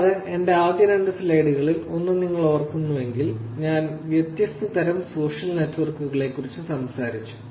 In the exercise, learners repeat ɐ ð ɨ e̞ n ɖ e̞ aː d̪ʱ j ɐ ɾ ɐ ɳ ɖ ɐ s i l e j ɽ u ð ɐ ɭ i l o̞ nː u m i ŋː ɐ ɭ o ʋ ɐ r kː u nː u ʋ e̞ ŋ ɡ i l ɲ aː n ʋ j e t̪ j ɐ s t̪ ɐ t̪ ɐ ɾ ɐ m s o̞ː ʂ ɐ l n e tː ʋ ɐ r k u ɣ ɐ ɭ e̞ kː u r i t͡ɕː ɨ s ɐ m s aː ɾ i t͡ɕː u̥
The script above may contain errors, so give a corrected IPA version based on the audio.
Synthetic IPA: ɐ ð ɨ e̞ n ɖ e̞ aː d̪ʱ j ɐ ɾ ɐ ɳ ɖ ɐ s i l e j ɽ u ɣ ɐ ɭ i l o̞ nː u n i ŋː ɐ ɭ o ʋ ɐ r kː u nː u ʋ e̞ ŋ ɡ i l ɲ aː n ʋ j e t̪ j ɐ s t̪ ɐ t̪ ɐ ɾ ɐ m s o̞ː ʂ ɐ l n e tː ʋ ɐ r k u ɣ ɐ ɭ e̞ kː u r i t͡ɕː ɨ s ɐ m s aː ɾ i t͡ɕː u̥

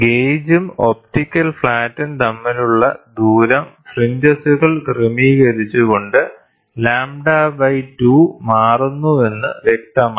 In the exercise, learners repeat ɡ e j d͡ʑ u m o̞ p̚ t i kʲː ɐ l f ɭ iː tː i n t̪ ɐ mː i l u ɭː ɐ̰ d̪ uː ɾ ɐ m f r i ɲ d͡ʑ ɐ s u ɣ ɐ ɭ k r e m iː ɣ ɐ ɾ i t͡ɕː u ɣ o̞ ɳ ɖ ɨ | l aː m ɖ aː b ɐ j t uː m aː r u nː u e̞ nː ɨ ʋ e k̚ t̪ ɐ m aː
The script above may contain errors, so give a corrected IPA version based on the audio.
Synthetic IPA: ɡ e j d͡ʑ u m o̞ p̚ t i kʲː ɐ l f ɭ aː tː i n t̪ ɐ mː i l u ɭː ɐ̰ d̪ uː ɾ ɐ m f r i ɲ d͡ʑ ɐ s u ɣ ɐ ɭ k r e m iː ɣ ɐ ɾ i t͡ɕː u ɣ o̞ ɳ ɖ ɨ | l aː m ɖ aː b ɐ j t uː m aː r u nː u e̞ nː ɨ ʋ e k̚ t̪ ɐ m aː

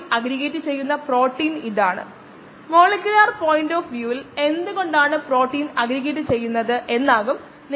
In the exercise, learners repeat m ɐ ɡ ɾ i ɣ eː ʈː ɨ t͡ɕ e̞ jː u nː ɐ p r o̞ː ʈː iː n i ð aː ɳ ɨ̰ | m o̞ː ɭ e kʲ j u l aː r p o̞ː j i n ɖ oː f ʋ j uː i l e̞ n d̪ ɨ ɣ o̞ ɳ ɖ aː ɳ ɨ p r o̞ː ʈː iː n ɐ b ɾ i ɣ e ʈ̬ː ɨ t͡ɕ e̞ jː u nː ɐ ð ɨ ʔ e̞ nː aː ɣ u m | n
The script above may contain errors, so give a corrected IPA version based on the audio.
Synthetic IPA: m ɐ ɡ ɾ i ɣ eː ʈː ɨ t͡ɕ e̞ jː u nː ɐ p r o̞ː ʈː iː n i ð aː ɳ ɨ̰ | m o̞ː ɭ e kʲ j u l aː r p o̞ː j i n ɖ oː f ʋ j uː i l e̞ n d̪ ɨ ɣ o̞ ɳ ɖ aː ɳ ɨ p r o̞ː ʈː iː n ɐ ɡ ɾ i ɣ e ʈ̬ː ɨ t͡ɕ e̞ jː u nː ɐ ð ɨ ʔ e̞ nː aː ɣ u m | n

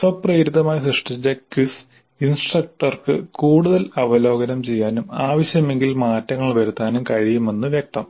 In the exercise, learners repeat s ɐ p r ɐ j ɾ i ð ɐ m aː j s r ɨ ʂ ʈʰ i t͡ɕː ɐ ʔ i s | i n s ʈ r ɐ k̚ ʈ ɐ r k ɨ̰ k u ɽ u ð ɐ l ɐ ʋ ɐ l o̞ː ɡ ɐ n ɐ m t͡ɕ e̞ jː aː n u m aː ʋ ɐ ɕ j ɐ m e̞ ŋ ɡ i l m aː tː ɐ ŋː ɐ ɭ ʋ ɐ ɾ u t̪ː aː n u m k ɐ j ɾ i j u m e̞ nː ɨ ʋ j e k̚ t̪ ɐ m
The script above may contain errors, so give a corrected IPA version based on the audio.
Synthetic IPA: s ɐ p r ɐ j ɾ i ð ɐ m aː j s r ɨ ʂ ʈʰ i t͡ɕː ɐ k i s | i n s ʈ r ɐ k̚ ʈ ɐ r k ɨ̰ k uː ɽ u ð ɐ l ɐ ʋ ɐ l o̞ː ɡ ɐ n ɐ m t͡ɕ e̞ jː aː n u m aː ʋ ɐ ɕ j ɐ m e̞ ŋ ɡ i l m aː tː ɐ ŋː ɐ ɭ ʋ ɐ ɾ u t̪ː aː n u m k ɐ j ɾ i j u m e̞ nː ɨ ʋ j e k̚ t̪ ɐ m

